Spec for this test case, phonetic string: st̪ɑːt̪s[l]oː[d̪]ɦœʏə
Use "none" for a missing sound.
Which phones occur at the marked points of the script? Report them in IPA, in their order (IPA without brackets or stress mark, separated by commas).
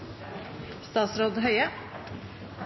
ɾ, d̪